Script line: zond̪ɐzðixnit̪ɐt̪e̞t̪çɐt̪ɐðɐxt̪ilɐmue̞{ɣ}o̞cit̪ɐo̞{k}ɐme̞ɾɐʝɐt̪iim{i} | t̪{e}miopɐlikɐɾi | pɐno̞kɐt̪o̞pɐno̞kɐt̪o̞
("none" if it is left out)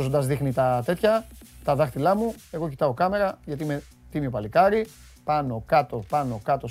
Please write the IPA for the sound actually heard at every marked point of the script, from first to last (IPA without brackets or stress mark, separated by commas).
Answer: ɣ, k, e, i